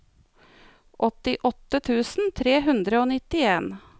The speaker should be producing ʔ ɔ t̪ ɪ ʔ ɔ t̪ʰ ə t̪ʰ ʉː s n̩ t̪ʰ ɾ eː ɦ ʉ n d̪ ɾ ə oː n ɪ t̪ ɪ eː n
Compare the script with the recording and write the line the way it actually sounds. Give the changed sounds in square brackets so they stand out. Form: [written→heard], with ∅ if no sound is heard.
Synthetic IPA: ʔ ɔ t̪ ɪ ʔ ɔ [t̪ʰ→t̪] ə t̪ʰ ʉː s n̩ t̪ʰ ɾ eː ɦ ʉ n d̪ ɾ ə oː n ɪ t̪ ɪ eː n